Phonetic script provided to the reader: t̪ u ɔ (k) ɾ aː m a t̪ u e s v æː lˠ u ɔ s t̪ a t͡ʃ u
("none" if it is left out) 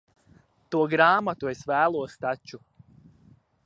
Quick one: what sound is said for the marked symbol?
ɡ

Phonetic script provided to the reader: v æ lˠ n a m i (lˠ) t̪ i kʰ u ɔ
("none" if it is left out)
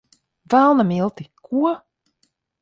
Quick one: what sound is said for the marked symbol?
lˠ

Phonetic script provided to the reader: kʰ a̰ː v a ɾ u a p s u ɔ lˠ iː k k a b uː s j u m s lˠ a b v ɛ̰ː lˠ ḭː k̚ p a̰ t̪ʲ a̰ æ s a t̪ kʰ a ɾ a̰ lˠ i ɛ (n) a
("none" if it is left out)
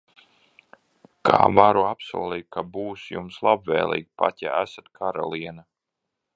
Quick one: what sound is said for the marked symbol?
n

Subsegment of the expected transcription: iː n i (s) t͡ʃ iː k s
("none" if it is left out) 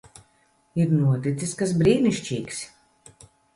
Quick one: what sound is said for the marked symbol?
ʃ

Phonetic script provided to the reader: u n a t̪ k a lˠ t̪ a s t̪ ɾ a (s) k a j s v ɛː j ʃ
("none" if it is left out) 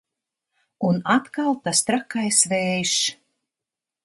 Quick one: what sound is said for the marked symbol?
none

